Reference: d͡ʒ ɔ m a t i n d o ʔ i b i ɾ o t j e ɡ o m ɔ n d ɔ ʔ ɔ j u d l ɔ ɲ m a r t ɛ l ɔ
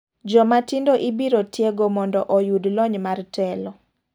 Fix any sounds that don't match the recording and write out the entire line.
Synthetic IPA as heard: d͡ʒ ɔ m a t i n d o ʔ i b i ɾ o t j e ɡ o m ɔ n d ɔ ʔ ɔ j u d l ɔ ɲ m a r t ɛ l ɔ